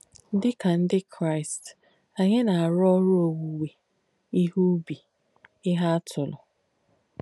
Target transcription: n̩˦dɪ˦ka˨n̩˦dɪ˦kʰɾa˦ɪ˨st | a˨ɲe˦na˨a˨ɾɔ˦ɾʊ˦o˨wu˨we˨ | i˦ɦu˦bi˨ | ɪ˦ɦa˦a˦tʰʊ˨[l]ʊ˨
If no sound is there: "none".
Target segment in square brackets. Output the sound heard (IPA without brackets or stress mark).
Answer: l